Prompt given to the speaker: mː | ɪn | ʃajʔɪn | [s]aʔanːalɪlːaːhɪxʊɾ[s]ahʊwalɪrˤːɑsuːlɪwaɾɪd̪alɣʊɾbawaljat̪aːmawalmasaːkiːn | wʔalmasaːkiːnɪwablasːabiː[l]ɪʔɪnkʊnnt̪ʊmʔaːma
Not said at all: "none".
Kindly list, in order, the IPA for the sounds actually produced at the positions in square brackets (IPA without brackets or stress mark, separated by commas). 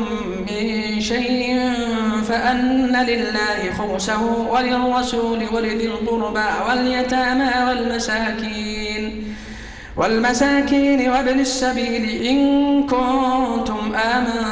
f, s, l